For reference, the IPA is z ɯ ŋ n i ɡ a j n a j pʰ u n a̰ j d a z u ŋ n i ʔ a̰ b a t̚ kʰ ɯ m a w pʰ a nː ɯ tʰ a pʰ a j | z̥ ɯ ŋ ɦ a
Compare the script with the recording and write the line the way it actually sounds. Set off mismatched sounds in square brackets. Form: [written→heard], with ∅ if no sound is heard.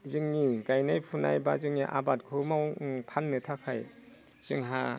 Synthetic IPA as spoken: z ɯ ŋ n i ɡ a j n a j pʰ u n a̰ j [d→b] a z [u→ɯ] ŋ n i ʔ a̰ b a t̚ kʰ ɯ m a w pʰ a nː ɯ tʰ a [pʰ→kʰ] a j | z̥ ɯ ŋ ɦ a